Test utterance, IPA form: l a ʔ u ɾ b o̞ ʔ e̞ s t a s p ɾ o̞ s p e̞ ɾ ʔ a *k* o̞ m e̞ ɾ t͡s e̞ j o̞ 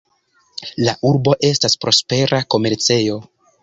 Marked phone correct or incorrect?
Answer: correct